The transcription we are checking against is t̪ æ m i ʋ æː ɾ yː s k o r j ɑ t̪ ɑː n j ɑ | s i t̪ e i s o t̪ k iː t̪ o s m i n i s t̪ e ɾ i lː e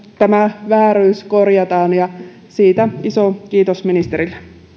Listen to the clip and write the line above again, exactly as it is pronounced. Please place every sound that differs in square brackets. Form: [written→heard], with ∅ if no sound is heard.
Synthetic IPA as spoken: t̪ æ m [i→æ] ʋ æː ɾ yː s k o r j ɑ t̪ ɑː n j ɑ | s [i→iː] t̪ [e→æ] i s o [t̪→∅] k iː t̪ o s m i n i s t̪ e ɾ i lː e

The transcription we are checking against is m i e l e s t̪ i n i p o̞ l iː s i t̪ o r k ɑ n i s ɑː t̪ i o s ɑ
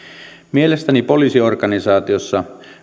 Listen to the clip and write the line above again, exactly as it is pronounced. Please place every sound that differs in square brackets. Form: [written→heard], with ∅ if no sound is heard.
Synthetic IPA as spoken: m i e l e s t̪ [i→æ] n i p o̞ l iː s i [t̪→∅] o r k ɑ n i s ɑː t̪ i o [s→sː] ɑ

